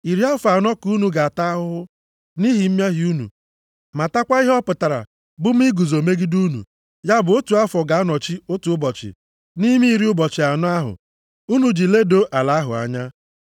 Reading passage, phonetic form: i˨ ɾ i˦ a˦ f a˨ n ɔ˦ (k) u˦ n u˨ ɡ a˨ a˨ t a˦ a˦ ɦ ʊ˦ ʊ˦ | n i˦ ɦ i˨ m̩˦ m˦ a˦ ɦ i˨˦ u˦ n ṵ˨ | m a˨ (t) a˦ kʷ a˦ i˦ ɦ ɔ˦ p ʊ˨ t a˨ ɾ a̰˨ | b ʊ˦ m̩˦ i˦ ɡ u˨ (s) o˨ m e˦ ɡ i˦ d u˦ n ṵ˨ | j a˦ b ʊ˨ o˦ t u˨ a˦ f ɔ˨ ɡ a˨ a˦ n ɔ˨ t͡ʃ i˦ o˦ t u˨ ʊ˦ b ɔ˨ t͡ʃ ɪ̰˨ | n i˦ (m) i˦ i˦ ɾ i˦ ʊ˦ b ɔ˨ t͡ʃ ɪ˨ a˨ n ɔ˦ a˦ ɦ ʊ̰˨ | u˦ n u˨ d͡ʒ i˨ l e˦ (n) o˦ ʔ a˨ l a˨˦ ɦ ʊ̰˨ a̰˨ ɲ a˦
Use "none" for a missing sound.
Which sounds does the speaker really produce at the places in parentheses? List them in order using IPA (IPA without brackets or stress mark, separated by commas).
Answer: k, t, z, m, d